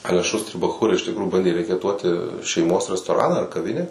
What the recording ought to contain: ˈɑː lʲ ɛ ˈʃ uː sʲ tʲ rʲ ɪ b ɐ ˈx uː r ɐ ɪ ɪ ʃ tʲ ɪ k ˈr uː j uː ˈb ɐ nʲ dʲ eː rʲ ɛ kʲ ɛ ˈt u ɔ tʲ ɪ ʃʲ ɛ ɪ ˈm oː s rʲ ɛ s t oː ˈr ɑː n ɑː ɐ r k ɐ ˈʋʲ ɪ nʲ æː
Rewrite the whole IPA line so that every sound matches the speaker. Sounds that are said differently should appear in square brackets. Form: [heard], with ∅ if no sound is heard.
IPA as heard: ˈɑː lʲ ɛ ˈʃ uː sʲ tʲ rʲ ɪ b ɐ ˈx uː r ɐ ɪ ɪ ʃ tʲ ɪ k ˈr uː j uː ˈb ɐ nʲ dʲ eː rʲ ɛ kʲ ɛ ˈt u ɔ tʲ ɪ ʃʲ ɛ ɪ ˈm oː s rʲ ɛ s t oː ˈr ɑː n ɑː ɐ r k ɐ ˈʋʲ ɪ nʲ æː

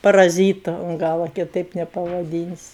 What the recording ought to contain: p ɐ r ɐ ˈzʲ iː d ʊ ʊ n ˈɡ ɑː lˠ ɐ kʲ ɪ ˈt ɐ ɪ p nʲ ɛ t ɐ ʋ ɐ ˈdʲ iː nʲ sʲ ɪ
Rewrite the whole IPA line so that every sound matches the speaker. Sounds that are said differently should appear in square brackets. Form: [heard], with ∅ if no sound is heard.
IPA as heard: p ɐ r ɐ ˈzʲ iː [t] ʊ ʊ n ˈɡ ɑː lˠ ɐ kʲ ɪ ˈt ɐ ɪ p nʲ ɛ [p] ɐ ʋ ɐ ˈdʲ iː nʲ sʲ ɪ

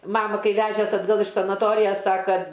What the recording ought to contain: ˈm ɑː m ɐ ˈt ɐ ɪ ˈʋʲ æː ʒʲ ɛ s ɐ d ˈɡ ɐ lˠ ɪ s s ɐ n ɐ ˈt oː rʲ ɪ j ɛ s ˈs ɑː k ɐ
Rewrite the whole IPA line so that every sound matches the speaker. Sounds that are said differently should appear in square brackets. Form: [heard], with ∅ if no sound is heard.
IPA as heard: ˈm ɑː m ɐ [ˈk] ɐ ɪ ˈʋʲ æː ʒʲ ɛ s ɐ d ˈɡ ɐ lˠ ɪ [ʃ] s ɐ n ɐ ˈt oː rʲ ɪ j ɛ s ˈs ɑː k ɐ

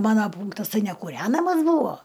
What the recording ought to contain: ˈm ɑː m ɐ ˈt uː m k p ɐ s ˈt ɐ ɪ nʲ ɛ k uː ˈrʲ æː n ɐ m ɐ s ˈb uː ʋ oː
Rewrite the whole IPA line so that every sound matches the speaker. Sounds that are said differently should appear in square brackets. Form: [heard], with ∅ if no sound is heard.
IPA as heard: ˈm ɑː [n] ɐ [ˈp] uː [ŋ] k [t] ɐ s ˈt ɐ ɪ nʲ ɛ k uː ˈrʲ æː n ɐ m ɐ s ˈb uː ʋ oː

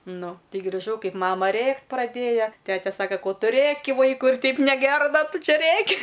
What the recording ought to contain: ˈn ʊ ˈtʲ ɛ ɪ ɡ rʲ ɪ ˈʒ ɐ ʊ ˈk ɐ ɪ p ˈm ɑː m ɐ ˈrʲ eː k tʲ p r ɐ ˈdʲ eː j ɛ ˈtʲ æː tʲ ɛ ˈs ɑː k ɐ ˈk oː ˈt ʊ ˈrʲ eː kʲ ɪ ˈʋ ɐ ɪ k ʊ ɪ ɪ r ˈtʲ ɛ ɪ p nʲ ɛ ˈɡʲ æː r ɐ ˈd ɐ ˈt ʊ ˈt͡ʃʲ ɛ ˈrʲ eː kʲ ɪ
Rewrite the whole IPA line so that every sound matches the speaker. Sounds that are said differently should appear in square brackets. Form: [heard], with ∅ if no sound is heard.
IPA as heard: ˈn ʊ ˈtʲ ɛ ɪ ɡ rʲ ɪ ˈʒ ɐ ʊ ˈk ɐ ɪ p ˈm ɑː m ɐ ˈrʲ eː k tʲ p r ɐ ˈdʲ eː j ɛ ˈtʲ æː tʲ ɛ ˈs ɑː k ɐ ˈk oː ˈt ʊ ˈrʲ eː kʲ ɪ ˈʋ ɐ ɪ k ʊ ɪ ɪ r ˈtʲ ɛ ɪ p nʲ ɛ ˈɡʲ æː r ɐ ˈd ɐ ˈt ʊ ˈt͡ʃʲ ɛ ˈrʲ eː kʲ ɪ

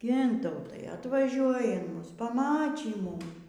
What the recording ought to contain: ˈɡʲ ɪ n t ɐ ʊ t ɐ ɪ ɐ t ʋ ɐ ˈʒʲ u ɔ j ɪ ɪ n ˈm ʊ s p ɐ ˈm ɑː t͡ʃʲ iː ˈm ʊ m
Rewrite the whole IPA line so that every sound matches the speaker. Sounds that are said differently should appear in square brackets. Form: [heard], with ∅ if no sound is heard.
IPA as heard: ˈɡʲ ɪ n t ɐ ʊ t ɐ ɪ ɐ t ʋ ɐ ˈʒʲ u ɔ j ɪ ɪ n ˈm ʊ s p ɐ ˈm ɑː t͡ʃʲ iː ˈm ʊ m

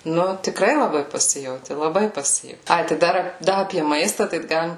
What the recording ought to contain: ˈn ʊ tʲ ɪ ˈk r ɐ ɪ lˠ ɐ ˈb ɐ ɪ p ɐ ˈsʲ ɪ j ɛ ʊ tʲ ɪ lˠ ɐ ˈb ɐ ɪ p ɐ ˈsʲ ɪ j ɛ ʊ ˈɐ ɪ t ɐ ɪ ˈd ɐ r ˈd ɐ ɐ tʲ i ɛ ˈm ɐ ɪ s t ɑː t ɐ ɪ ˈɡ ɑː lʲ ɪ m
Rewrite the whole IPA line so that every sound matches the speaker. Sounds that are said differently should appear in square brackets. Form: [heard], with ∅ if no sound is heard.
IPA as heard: ˈn ʊ tʲ ɪ ˈk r ɐ ɪ lˠ ɐ ˈb ɐ ɪ p ɐ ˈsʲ ɪ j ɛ ʊ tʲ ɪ lˠ ɐ ˈb ɐ ɪ p ɐ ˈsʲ ɪ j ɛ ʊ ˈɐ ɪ t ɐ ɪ ˈd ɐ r ˈd ɐ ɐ [pʲ] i ɛ ˈm ɐ ɪ s t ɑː t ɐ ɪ ˈɡ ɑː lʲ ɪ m

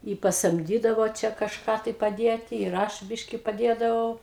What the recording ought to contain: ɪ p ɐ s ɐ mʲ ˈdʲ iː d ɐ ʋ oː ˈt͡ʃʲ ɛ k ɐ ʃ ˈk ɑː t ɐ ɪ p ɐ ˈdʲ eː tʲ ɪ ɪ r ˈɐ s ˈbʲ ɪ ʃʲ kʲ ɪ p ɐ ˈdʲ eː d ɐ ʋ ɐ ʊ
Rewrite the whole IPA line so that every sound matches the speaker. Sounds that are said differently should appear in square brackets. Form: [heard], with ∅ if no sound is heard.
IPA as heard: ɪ p ɐ s ɐ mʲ ˈdʲ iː d ɐ ʋ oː ˈt͡ʃʲ ɛ k ɐ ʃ ˈk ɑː t ɐ ɪ p ɐ ˈdʲ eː tʲ ɪ ɪ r ˈɐ [ʃ] ˈbʲ ɪ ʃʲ kʲ ɪ p ɐ ˈdʲ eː d ɐ ʋ ɐ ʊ

